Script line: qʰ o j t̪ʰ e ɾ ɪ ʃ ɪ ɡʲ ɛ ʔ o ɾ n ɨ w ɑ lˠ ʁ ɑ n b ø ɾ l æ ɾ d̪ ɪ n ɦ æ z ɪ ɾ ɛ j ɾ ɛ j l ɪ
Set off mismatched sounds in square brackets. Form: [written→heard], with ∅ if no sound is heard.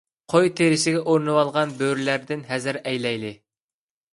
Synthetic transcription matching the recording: qʰ o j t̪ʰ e ɾ ɪ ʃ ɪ ɡʲ ɛ ʔ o ɾ n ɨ w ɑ lˠ ʁ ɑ n b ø ɾ l æ ɾ d̪ ɪ n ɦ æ z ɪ ɾ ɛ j [ɾ→l] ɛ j l ɪ

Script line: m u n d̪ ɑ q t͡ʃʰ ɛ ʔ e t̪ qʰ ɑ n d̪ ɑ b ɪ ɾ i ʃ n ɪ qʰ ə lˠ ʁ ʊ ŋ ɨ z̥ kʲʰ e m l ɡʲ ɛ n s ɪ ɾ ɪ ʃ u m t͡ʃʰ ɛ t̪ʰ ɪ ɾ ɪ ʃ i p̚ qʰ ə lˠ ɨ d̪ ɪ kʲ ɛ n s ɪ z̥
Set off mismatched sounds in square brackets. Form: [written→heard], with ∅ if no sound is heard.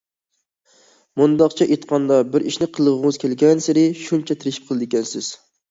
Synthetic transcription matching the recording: m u n d̪ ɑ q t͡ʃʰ ɛ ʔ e t̪ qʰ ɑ n d̪ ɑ b ɪ ɾ i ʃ n ɪ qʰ ə lˠ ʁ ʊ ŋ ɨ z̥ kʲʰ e [m→∅] l ɡʲ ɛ n s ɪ ɾ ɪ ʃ u [m→n] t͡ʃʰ ɛ t̪ʰ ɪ ɾ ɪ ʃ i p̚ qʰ ə lˠ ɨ d̪ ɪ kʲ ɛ n s ɪ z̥

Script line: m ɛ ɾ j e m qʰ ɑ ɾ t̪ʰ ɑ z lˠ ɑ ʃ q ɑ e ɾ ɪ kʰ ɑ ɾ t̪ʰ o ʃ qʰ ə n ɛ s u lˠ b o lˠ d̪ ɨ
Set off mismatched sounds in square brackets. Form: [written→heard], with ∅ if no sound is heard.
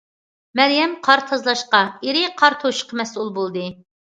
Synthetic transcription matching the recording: m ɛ ɾ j [e→ɛ] m qʰ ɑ ɾ t̪ʰ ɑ z lˠ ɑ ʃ q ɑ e ɾ ɪ [kʰ→qʰ] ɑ ɾ t̪ʰ o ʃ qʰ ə [n→m] ɛ s u lˠ b o lˠ d̪ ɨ

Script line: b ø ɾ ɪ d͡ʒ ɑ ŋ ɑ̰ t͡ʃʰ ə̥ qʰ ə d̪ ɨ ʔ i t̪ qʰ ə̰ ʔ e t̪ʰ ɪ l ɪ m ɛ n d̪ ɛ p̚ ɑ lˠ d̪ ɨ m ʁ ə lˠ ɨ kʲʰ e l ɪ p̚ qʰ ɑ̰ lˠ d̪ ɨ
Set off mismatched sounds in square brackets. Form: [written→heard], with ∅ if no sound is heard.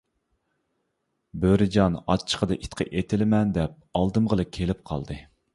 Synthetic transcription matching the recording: b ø ɾ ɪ d͡ʒ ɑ [ŋ→n] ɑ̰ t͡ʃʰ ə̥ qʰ ə d̪ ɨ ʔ i t̪ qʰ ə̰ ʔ e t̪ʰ ɪ l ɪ m ɛ n d̪ ɛ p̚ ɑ lˠ d̪ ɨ m ʁ ə lˠ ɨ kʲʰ e l ɪ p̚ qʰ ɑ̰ lˠ d̪ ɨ

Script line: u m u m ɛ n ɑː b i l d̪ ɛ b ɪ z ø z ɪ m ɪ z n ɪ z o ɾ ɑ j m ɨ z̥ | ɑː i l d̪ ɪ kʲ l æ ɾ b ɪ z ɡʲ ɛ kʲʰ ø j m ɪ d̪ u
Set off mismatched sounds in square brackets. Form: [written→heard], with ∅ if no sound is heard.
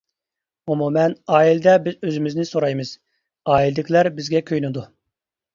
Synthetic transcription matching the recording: u m u m ɛ n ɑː [b→∅] i l d̪ ɛ b ɪ z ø z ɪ m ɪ z n ɪ [z→s] o ɾ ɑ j m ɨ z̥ | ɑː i l d̪ ɪ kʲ l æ ɾ b ɪ z ɡʲ ɛ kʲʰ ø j [m→n] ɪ d̪ u

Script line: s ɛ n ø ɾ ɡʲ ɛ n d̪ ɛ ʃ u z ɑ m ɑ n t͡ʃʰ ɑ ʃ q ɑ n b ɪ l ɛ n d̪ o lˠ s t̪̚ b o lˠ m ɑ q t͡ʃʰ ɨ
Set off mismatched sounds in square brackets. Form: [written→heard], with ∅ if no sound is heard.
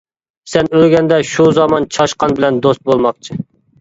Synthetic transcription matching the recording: s ɛ n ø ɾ ɡʲ ɛ n d̪ ɛ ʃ u z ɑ m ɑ n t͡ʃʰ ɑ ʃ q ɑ n b ɪ l ɛ n d̪ o [lˠ→∅] s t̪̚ b o lˠ m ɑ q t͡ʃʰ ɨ

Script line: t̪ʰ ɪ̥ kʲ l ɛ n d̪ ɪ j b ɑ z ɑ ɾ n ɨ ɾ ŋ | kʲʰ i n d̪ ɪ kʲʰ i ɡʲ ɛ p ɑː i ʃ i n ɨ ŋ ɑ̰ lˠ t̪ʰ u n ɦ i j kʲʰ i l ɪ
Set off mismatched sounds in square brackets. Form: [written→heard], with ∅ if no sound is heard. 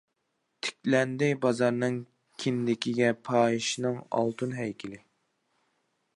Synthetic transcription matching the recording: t̪ʰ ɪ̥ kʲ l ɛ n d̪ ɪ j b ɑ z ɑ ɾ n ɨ [ɾ→∅] ŋ | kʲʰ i n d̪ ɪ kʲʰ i ɡʲ ɛ [p→pʰ] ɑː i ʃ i n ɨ ŋ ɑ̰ lˠ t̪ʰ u n ɦ [i→ɛ] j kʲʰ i l ɪ

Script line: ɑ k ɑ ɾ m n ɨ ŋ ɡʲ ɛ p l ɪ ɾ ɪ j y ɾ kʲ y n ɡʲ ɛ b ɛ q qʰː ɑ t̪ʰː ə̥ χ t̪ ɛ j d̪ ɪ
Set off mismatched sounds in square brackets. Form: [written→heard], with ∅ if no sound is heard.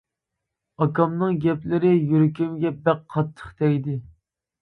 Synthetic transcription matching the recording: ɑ k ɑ [ɾ→∅] m n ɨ ŋ ɡʲ ɛ p l ɪ ɾ ɪ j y ɾ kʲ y [n→m] ɡʲ ɛ b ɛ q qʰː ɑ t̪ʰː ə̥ χ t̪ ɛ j d̪ ɪ

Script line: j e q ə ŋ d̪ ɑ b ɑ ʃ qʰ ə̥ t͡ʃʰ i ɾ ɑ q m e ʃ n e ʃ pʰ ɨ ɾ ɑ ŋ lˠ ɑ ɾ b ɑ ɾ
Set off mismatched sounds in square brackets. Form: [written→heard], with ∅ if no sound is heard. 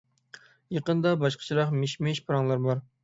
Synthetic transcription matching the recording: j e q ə [ŋ→n] d̪ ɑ b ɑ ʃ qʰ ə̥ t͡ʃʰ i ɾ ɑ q m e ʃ [n→m] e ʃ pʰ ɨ ɾ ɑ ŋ lˠ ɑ ɾ b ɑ ɾ

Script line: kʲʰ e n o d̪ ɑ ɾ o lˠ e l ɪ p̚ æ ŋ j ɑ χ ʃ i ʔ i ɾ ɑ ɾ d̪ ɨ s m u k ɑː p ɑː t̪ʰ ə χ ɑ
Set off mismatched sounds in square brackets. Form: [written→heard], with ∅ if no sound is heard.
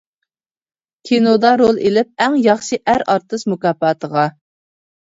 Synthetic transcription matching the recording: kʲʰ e n o d̪ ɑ ɾ o lˠ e l ɪ p̚ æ ŋ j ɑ χ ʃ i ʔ [i→æ] ɾ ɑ ɾ [d̪→t̪] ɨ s m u k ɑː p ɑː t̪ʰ ə [χ→ʁ] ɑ

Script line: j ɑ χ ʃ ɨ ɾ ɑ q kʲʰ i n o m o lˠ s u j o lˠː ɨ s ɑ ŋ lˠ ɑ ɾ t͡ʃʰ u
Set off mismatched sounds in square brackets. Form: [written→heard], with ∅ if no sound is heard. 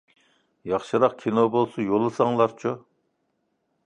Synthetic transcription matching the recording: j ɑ χ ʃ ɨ ɾ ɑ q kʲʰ i n o [m→b] o lˠ s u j o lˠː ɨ s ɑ ŋ lˠ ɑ ɾ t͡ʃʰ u

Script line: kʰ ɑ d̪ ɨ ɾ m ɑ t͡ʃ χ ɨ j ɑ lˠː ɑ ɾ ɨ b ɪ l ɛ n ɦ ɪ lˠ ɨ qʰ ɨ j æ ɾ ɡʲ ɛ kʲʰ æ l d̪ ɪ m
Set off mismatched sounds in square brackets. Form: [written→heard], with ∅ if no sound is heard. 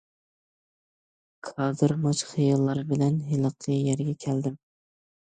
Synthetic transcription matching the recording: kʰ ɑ d̪ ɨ ɾ m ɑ t͡ʃ χ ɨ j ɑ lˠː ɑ ɾ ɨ b ɪ l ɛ n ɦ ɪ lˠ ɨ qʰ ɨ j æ ɾ ɡʲ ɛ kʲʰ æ l d̪ ɪ m

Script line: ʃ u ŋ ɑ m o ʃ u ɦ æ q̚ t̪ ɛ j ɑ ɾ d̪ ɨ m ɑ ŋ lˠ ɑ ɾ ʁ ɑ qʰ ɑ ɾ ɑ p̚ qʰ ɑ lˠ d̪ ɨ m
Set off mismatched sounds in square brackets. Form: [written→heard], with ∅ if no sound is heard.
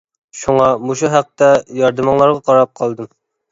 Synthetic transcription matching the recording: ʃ u ŋ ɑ m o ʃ u ɦ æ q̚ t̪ ɛ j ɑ ɾ d̪ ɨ m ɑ ŋ lˠ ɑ ɾ ʁ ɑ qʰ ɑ ɾ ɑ p̚ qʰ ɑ lˠ d̪ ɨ m

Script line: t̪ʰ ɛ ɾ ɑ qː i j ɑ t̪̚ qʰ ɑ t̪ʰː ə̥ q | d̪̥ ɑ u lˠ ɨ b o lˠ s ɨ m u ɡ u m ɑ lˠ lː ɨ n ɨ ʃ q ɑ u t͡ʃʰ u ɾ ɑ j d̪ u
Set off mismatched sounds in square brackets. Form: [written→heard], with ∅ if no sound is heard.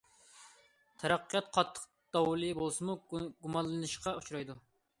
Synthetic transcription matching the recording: t̪ʰ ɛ ɾ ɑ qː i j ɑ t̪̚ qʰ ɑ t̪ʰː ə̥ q | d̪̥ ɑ [u→w] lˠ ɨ b o lˠ s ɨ m u ɡ u m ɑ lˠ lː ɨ n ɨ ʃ q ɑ u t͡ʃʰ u ɾ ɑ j d̪ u

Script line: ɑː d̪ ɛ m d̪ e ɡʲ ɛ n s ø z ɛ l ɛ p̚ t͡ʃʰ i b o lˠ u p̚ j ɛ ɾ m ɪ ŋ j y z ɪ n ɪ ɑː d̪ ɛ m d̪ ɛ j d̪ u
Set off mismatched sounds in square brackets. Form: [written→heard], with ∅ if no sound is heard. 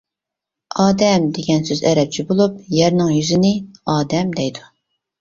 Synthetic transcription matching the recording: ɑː d̪ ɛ m d̪ e ɡʲ ɛ n s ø z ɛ [l→ɾ] ɛ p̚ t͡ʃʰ i b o lˠ u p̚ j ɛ ɾ [m→n] ɪ ŋ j y z ɪ n ɪ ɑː d̪ ɛ m d̪ ɛ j d̪ u

